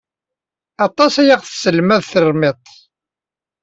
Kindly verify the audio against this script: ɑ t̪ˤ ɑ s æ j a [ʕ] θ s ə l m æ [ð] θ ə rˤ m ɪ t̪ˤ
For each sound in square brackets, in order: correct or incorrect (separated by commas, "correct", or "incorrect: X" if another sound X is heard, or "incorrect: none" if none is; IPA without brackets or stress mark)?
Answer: incorrect: ʁ, correct